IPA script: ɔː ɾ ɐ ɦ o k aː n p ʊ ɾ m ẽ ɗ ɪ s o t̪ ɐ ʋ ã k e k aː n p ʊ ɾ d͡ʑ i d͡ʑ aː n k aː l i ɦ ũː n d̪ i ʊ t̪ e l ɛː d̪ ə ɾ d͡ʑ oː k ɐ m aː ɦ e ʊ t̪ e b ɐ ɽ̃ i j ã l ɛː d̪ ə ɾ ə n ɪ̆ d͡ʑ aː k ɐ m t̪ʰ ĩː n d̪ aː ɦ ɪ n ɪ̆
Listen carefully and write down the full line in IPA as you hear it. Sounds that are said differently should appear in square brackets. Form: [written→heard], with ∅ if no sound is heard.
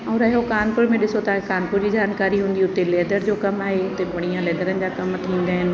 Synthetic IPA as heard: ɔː ɾ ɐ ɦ o k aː n p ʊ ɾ m ẽ ɗ ɪ s o t̪ ɐ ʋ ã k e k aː n p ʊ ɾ d͡ʑ i d͡ʑ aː n k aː [l→ɾ] i ɦ ũː n d̪ i ʊ t̪ e l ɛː d̪ ə ɾ d͡ʑ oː k ɐ m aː ɦ e ʊ t̪ e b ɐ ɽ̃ i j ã l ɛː d̪ ə ɾ ə n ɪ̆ d͡ʑ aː k ɐ m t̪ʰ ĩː n d̪ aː ɦ ɪ n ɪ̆